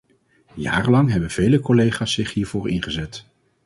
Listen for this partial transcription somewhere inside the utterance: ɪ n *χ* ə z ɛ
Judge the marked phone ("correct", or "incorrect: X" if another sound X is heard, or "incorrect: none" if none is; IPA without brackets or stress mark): correct